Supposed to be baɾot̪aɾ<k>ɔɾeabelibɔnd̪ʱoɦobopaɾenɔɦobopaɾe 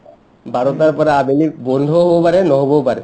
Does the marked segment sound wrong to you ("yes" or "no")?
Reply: yes